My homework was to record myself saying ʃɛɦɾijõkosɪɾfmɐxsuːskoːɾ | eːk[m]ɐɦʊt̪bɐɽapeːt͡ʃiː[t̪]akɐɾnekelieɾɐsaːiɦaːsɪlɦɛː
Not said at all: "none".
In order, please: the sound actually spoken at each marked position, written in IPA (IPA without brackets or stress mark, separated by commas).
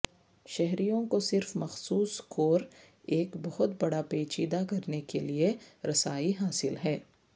b, d̪